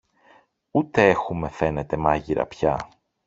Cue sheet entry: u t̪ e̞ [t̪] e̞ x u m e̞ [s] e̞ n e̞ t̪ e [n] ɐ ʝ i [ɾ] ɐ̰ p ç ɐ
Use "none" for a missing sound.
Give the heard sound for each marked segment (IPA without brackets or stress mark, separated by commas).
none, f, m, ɾ